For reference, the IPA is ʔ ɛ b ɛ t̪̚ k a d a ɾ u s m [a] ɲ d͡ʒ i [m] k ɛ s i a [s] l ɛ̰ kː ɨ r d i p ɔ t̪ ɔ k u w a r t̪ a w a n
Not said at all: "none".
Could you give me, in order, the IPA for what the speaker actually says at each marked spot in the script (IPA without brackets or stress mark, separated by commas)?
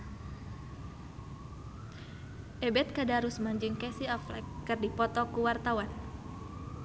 a, ŋ, f